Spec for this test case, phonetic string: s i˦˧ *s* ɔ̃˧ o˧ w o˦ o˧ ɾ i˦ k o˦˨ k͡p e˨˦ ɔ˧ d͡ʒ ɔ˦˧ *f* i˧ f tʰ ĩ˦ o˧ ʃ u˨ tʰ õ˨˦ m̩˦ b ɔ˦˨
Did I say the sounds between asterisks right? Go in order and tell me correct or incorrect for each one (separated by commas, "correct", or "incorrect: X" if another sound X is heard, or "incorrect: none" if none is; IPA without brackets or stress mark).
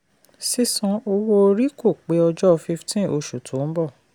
correct, correct